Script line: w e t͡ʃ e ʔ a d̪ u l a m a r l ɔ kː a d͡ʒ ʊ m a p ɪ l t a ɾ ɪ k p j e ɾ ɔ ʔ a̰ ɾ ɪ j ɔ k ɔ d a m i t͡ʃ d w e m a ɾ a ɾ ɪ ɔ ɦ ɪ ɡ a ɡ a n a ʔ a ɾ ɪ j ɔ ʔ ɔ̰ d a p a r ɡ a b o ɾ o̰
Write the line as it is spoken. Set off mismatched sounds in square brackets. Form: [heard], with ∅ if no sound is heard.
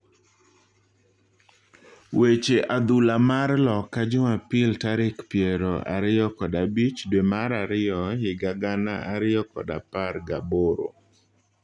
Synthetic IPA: w e t͡ʃ e ʔ a d̪ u l a m a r l ɔ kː a d͡ʒ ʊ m a p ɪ l t a ɾ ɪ k p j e ɾ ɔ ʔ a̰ ɾ ɪ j ɔ k ɔ d a [b] i t͡ʃ d w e m a ɾ a ɾ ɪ ɔ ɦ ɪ ɡ a ɡ a n a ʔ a ɾ ɪ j ɔ [k] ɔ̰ d a p a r ɡ a b o ɾ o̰